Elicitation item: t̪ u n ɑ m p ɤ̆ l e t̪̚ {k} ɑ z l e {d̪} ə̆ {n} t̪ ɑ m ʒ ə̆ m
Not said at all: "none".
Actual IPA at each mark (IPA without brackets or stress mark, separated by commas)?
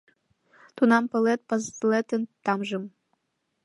p, t̪, n